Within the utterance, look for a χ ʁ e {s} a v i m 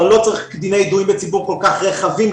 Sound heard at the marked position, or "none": χ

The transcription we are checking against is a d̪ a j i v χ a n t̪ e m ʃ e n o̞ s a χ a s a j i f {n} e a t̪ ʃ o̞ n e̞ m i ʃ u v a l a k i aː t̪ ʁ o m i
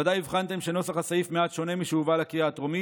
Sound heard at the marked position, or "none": m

